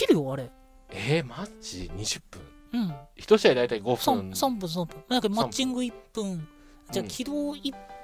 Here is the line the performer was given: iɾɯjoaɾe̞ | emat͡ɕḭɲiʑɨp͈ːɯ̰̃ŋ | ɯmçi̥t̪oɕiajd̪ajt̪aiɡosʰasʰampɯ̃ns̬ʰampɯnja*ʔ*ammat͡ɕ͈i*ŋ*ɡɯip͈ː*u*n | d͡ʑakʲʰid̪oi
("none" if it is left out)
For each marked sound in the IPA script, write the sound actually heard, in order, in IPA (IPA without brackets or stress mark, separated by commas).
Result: k, ŋ, ɯ